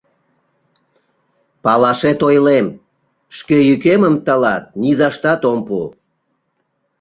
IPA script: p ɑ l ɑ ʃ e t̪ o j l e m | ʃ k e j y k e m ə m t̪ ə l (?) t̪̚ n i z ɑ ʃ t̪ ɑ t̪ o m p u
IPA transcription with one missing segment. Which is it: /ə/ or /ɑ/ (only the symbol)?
ɑ